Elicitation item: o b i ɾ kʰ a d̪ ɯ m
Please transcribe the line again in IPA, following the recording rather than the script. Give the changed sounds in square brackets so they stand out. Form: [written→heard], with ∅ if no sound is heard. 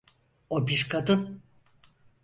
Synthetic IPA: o b i ɾ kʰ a d̪ ɯ [m→n]